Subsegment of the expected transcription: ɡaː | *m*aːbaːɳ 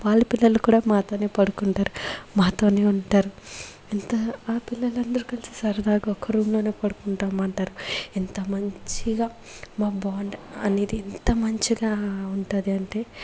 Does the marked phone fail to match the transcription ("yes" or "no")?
no